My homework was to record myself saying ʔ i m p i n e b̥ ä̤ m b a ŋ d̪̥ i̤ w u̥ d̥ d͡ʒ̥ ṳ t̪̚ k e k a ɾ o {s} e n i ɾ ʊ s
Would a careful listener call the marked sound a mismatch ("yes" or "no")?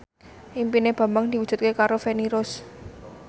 yes